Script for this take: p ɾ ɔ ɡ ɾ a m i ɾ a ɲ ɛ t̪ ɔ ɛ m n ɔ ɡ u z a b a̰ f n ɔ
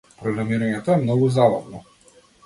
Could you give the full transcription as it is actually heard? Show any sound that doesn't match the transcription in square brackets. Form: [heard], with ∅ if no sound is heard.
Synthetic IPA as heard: p ɾ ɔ ɡ ɾ a m i ɾ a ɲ ɛ t̪ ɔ ɛ m n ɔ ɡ u z a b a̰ [v] n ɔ